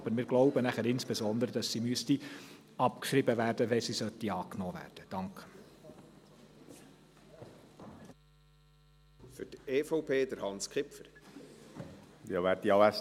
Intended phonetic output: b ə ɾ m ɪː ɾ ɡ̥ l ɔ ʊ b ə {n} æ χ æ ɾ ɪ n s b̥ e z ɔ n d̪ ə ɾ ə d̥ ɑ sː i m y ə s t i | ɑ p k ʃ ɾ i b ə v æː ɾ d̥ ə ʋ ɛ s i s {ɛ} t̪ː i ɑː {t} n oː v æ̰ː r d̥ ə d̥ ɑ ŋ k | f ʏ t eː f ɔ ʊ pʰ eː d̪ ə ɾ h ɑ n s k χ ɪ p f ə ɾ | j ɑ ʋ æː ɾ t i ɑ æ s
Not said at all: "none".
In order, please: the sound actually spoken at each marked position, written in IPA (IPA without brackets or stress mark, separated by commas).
n, œ, k